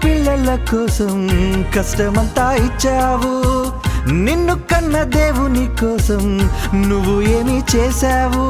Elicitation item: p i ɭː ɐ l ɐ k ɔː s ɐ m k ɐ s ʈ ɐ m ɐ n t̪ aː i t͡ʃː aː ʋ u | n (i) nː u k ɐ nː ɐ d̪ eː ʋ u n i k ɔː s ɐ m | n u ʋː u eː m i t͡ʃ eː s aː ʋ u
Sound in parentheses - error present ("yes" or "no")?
no